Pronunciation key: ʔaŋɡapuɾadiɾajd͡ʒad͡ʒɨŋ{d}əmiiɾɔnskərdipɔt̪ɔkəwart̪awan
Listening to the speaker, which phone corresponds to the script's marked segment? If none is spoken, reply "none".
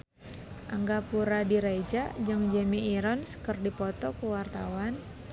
d͡ʒ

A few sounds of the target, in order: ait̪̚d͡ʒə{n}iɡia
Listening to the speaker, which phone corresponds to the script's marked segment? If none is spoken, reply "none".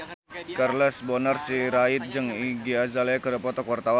ŋ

